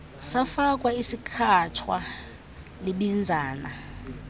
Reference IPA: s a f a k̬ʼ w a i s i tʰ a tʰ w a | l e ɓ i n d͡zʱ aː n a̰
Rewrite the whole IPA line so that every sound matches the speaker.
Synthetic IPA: s a f a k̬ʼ w a i s i kʰ a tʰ w a | l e ɓ i n d͡zʱ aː n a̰